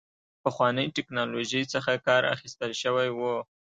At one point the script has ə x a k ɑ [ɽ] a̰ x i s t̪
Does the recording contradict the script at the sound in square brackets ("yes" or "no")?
yes